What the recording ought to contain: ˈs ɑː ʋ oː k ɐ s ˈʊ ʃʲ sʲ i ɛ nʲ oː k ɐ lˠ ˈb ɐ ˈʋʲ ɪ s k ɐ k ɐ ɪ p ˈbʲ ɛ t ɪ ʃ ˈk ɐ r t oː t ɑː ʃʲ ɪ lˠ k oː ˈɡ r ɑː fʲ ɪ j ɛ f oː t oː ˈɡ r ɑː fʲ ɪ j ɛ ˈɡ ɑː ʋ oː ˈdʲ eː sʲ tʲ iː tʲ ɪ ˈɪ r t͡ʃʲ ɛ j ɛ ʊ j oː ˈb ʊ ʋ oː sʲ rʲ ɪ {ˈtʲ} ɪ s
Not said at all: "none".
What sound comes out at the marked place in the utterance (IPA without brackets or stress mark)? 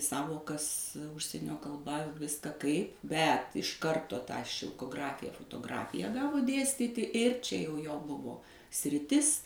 tʲ